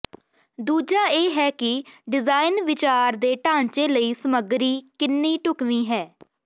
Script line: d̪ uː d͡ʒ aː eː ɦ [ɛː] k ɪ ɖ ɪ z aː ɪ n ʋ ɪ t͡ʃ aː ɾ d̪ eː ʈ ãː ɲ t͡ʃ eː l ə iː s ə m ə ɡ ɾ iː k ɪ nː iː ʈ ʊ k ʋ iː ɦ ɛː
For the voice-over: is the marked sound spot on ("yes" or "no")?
yes